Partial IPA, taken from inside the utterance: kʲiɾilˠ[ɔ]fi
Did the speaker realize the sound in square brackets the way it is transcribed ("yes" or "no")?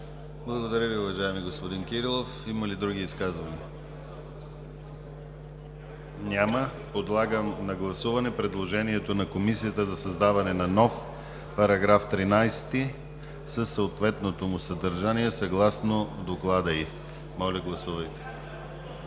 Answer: no